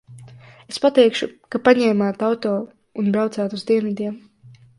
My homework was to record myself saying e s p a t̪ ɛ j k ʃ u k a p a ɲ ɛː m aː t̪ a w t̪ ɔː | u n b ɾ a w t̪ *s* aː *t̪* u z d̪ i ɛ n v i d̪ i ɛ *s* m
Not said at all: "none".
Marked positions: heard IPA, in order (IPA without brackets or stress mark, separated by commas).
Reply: s, t̪, none